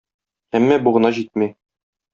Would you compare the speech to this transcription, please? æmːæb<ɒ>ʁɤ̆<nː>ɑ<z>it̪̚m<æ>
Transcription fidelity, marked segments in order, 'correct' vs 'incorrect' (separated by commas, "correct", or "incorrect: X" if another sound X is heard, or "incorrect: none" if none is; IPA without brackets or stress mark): incorrect: u, incorrect: n, incorrect: ʑ, incorrect: i